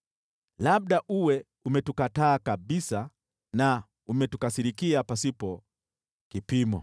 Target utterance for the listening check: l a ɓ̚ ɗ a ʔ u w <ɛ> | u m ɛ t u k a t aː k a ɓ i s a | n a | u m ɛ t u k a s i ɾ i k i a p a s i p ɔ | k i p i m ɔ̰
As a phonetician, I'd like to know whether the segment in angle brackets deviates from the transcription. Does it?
no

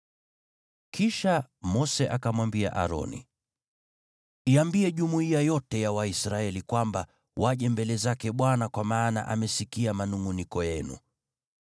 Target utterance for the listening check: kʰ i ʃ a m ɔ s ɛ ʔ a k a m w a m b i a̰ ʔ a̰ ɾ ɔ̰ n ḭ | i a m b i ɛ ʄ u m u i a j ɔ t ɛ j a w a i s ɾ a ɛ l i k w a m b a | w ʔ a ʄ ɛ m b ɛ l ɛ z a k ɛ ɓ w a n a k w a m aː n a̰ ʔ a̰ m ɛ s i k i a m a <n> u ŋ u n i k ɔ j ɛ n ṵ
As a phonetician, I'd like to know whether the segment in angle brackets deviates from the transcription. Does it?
no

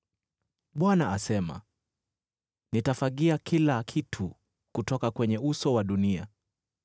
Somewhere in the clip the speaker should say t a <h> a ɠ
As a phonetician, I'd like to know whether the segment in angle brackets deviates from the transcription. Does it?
yes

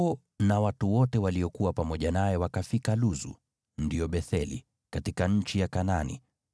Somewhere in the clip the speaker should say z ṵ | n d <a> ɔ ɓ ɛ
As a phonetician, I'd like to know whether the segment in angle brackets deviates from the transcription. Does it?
yes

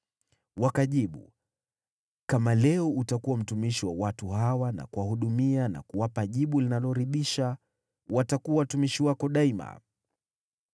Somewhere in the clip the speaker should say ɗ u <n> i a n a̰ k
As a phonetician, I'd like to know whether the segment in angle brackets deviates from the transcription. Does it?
yes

